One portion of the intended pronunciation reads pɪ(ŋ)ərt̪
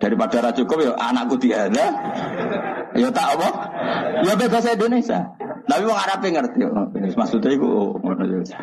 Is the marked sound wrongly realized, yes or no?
no